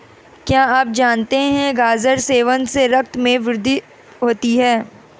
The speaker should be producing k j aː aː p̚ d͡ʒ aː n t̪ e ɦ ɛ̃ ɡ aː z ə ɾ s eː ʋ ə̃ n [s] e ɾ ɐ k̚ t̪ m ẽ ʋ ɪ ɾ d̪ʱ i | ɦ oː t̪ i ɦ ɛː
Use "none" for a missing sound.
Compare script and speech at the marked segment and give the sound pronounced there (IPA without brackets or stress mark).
s